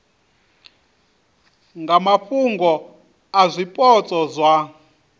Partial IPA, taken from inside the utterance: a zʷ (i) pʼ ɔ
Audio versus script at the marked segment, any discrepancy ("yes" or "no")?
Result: no